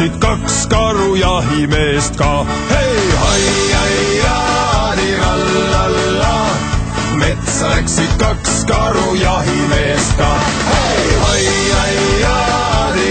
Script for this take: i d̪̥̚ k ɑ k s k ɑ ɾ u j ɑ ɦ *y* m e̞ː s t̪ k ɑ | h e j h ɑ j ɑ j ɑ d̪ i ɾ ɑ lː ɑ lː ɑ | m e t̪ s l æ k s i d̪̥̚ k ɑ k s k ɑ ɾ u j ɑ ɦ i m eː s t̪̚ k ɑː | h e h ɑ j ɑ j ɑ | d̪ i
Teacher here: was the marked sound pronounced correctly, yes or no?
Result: no